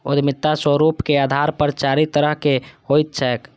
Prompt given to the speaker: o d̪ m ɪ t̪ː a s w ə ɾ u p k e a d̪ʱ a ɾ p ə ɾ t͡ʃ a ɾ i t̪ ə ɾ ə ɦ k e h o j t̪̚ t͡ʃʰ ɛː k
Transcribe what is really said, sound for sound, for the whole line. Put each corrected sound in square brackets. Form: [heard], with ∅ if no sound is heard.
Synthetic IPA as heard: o d̪ m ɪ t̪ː a s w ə ɾ u p k e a d̪ʱ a ɾ p ə ɾ t͡ʃ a ɾ i t̪ ə ɾ ə ɦ k e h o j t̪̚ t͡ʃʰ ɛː k